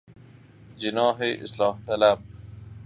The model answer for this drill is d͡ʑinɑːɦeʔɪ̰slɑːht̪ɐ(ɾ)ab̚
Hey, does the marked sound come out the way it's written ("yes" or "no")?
no